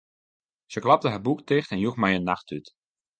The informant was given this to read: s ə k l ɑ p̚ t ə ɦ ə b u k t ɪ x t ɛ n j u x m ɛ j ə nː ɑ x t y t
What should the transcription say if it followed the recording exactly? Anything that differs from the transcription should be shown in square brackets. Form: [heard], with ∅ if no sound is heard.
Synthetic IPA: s ə k l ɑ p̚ t ə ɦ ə b u k t ɪ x t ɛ n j u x m ɛ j ə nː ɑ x t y t